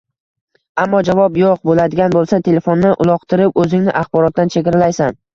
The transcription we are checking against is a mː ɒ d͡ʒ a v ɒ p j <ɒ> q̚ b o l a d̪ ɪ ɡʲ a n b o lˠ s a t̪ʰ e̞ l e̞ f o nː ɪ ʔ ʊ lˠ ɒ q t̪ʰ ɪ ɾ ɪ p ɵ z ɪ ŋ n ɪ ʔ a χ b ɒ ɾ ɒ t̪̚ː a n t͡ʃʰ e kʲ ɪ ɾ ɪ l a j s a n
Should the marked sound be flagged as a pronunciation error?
yes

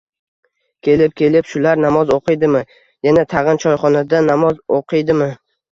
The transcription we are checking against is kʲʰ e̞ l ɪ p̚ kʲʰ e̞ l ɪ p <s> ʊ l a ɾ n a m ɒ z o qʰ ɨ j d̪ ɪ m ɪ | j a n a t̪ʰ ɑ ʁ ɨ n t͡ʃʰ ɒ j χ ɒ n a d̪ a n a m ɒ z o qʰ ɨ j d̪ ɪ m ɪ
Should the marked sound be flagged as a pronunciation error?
yes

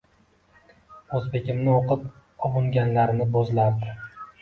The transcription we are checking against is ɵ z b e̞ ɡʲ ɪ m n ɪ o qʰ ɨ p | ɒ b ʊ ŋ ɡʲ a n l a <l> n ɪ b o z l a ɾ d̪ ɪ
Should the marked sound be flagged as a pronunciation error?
yes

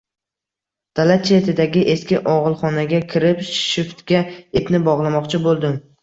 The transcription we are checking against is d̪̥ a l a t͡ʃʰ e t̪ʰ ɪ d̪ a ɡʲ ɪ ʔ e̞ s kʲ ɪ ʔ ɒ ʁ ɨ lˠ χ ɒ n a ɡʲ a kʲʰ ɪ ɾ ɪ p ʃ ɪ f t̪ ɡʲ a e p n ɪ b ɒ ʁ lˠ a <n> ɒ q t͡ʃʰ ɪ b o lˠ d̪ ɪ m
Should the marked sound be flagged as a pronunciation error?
yes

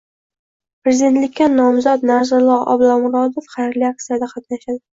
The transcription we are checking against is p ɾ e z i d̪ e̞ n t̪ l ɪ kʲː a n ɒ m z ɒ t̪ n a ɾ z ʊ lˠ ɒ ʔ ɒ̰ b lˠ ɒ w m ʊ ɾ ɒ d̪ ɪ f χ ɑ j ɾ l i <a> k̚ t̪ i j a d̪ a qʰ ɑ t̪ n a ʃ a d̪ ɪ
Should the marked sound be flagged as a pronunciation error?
no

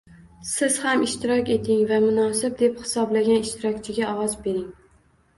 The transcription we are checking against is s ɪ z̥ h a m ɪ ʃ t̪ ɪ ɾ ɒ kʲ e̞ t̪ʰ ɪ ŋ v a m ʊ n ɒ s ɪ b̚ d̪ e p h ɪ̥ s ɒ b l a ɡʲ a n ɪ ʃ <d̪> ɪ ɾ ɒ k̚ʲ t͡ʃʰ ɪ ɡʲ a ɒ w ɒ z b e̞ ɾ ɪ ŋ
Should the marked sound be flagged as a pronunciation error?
yes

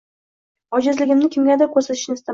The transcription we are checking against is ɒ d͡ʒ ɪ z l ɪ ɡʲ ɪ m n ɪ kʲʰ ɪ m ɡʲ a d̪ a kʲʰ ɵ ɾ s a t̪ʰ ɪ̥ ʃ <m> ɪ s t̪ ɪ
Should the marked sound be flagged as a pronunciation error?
yes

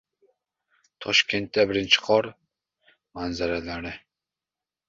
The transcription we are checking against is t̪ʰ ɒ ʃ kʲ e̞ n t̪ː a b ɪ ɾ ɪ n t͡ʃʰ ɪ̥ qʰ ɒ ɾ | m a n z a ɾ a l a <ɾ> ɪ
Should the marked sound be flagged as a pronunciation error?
no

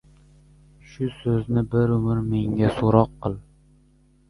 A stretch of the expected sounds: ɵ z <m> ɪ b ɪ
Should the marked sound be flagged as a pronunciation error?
yes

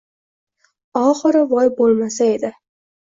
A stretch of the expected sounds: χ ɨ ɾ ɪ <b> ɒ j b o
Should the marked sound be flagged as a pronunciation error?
yes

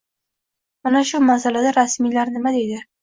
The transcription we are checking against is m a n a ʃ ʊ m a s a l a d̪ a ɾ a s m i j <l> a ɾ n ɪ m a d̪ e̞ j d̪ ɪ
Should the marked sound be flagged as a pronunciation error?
no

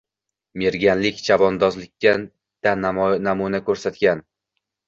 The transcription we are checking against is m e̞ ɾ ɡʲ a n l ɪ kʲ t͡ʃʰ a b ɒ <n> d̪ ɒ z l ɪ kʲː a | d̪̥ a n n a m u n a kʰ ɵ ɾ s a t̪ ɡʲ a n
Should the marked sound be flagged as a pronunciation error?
no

